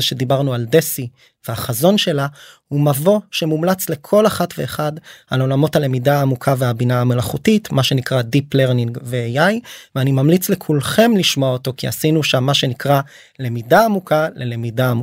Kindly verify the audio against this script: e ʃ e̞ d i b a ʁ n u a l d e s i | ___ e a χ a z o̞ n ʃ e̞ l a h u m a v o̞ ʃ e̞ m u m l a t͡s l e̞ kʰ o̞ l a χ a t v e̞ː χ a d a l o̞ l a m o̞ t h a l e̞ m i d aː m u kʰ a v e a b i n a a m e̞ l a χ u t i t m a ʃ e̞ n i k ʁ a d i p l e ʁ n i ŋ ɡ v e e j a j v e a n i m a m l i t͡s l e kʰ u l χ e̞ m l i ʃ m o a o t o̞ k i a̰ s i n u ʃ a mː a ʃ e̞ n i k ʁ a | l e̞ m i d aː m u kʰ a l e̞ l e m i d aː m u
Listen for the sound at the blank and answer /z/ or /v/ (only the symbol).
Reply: v